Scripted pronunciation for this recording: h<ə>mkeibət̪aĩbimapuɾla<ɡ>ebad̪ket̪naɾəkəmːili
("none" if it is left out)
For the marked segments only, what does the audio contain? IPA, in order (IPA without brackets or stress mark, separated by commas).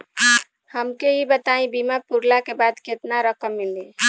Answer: ə, k